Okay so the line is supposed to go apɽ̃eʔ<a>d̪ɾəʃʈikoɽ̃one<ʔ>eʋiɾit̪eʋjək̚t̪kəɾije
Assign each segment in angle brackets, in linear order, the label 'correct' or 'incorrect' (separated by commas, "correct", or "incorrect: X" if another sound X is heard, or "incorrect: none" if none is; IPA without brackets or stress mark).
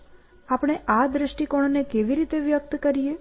correct, incorrect: k